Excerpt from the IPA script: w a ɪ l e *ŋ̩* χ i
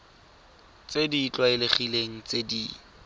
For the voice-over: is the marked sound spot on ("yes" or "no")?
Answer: no